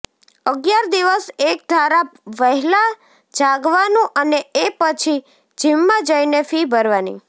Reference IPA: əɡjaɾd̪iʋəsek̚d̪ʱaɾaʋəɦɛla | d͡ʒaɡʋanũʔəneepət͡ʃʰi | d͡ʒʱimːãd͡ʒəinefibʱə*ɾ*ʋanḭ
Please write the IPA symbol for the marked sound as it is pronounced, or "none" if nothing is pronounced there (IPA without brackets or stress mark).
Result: ɾ